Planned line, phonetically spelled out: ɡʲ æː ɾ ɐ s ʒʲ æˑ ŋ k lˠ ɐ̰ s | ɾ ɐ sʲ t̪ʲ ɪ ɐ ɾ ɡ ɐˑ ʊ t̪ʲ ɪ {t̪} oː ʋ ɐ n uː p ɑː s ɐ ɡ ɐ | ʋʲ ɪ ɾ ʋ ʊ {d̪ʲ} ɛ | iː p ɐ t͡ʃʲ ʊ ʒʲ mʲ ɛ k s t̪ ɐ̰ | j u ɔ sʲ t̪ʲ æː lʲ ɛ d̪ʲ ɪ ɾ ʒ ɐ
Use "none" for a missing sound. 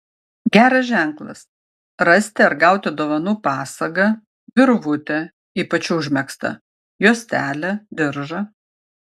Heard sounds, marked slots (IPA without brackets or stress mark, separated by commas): d̪, t̪ʲ